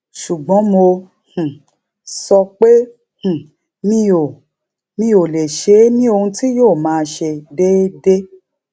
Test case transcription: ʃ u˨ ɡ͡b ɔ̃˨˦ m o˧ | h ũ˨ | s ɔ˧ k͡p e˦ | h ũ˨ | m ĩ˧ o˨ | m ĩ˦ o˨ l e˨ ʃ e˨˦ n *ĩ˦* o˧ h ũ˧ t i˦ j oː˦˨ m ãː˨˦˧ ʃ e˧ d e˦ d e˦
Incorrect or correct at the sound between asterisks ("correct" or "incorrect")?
correct